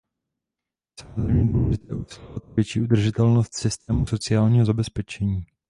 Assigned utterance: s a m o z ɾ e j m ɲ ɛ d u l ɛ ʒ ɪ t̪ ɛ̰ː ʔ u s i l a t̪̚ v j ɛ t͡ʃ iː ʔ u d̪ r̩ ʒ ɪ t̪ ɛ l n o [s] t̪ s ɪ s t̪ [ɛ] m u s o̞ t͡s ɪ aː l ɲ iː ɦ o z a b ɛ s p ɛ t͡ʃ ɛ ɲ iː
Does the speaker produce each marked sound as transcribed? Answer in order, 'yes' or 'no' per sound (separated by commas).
yes, no